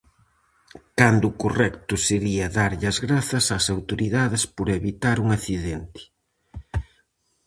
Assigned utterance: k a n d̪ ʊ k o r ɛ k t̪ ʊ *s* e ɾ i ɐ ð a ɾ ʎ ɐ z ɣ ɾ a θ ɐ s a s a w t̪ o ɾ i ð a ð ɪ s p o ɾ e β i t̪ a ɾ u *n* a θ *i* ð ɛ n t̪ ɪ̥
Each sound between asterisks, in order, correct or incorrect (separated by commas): correct, incorrect, correct